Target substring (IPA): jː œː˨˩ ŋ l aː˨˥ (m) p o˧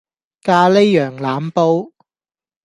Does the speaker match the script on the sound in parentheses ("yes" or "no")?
yes